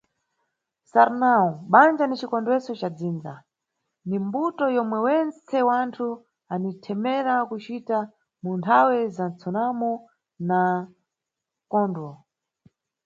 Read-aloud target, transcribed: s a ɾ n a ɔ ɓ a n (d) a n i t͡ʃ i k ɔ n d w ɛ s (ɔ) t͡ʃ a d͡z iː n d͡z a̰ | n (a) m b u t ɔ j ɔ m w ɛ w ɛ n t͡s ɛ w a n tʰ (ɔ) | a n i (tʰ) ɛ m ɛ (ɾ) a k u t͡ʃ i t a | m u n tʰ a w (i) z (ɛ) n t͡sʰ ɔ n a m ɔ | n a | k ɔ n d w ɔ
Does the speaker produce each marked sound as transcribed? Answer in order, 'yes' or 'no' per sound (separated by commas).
no, yes, no, no, yes, yes, no, no